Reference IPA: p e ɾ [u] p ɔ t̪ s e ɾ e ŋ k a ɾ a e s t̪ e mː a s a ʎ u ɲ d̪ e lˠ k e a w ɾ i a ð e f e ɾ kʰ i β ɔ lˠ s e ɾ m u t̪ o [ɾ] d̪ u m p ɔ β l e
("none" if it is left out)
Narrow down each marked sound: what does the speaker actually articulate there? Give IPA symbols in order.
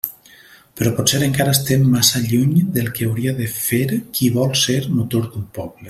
ɔ, ɾ

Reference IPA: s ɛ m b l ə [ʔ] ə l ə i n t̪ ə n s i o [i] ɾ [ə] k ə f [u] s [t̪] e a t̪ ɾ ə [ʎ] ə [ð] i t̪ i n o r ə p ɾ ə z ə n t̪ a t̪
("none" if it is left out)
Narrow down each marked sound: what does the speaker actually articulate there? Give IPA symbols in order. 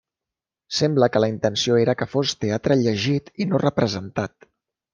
k, e, ə, o, t̪, ʎ, ʒ

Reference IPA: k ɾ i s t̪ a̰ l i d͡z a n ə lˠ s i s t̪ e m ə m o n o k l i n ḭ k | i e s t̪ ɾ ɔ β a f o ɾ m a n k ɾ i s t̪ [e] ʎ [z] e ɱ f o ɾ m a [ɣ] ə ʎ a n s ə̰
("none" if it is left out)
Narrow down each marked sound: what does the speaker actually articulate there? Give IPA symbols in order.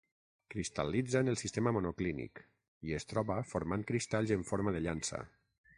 a, z, ð

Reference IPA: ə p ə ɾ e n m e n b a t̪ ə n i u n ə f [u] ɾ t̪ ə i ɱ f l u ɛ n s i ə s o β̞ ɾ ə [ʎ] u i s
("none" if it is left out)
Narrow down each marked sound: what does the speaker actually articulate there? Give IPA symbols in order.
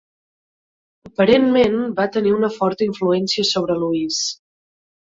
ɔ, l

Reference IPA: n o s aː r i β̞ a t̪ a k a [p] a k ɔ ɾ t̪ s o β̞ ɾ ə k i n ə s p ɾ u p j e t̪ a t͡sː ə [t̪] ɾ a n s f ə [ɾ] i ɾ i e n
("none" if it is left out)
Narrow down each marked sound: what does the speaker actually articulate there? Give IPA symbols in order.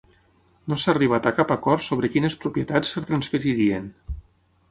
p, t̪, ɾ

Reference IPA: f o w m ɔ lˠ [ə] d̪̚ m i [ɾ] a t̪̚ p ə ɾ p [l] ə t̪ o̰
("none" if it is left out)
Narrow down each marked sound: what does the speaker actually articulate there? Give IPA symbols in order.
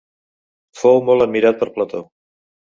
ə, ɾ, l

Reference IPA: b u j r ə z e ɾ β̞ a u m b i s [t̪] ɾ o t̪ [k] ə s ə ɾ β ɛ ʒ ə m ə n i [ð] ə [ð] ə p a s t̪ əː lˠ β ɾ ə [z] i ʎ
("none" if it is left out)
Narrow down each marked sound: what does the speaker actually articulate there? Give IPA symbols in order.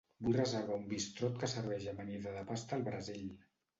t̪, k, ð, ð, z

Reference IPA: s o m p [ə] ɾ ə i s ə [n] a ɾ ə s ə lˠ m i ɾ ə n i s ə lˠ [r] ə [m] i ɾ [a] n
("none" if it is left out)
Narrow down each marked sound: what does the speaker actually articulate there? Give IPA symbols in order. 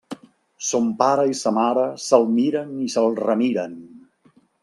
a, m, r, m, ə

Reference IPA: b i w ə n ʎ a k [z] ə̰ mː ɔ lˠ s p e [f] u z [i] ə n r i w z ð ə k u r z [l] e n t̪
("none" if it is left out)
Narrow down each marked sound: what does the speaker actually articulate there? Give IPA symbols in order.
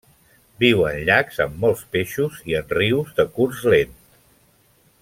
z, ʃ, i, l

